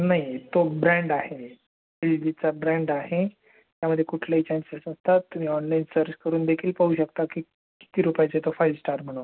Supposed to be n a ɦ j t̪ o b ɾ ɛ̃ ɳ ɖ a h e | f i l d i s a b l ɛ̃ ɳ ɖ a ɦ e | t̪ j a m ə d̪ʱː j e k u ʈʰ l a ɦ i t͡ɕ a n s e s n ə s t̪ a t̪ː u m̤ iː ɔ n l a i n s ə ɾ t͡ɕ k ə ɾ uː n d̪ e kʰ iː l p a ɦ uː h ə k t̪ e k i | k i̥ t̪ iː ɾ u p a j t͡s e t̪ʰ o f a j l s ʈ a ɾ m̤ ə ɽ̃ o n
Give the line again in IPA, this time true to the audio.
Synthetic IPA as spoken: n a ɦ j t̪ o b ɾ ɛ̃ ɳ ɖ a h e | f i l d i t͡s a b ɾ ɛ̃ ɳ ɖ a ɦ e | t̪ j a m ə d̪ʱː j e k u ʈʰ l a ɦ i t͡ɕ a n s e s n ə s t̪ a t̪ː u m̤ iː ɔ n l a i n s ə ɾ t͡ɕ k ə ɾ uː n d̪ e kʰ iː l p a ɦ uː ɕ ə k t̪ a k i | k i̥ t̪ iː ɾ u p a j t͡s e t̪ o f a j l s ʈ a ɾ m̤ ə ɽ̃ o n